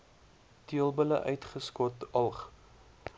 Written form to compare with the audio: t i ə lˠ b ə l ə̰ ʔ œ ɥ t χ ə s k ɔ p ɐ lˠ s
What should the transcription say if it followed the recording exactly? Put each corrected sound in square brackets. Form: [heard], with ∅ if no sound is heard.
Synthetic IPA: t i ə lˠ b ə l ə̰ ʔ œ ɥ t χ ə s k ɔ [t] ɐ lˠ [χ]